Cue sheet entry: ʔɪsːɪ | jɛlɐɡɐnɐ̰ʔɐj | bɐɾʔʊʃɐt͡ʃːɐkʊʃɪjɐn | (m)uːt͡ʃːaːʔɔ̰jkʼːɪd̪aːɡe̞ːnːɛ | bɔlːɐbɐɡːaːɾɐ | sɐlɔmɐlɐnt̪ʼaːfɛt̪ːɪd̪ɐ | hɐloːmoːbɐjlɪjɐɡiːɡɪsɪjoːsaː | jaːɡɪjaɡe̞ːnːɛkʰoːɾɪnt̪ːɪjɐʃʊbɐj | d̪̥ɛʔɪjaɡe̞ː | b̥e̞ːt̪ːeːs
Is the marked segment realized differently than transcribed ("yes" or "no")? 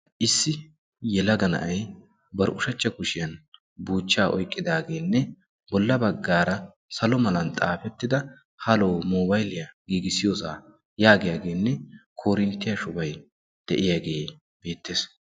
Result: yes